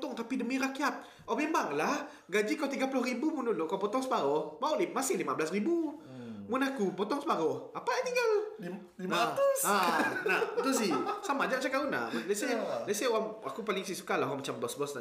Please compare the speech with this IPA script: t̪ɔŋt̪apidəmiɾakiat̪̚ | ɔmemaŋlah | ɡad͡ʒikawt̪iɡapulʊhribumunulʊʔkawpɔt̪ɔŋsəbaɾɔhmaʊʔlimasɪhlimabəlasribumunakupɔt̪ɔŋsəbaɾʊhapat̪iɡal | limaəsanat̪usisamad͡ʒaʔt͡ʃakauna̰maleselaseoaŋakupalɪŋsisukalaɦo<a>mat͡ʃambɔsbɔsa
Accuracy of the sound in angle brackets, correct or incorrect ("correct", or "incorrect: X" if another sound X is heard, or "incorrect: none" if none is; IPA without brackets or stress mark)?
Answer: correct